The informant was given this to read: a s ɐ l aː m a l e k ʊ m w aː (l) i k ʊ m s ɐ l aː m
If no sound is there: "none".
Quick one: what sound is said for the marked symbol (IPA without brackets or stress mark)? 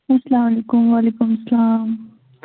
l